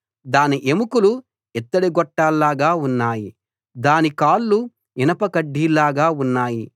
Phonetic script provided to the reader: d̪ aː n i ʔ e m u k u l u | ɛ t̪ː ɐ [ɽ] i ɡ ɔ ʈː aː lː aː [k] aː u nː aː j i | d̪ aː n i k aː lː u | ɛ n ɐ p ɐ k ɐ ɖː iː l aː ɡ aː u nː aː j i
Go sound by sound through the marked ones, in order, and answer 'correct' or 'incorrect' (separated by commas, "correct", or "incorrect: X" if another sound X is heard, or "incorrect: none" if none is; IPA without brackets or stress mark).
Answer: correct, incorrect: ɡ